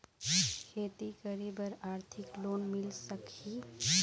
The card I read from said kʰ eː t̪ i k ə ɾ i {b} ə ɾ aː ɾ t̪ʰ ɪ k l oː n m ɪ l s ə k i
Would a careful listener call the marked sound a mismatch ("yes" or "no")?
no